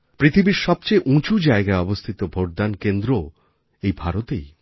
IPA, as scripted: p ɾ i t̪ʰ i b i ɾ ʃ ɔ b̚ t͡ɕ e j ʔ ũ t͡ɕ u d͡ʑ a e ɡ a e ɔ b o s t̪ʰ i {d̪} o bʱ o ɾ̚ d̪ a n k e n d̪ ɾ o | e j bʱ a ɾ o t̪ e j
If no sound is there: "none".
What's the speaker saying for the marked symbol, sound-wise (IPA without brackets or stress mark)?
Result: t̪